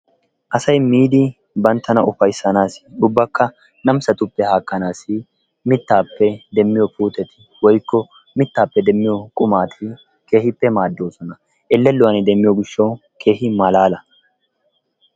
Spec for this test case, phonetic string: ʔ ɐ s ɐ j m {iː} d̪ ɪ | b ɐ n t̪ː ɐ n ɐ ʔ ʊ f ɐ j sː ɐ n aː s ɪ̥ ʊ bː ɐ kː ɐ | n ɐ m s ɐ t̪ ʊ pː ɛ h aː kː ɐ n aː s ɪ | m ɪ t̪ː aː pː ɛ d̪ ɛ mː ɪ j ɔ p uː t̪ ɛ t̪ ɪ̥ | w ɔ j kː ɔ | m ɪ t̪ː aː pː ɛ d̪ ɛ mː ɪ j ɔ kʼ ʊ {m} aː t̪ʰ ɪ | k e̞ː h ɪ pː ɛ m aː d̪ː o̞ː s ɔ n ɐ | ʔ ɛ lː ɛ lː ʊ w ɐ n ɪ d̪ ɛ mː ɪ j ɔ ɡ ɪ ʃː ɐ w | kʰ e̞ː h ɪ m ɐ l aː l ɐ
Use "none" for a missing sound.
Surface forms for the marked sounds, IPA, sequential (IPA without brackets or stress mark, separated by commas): iː, m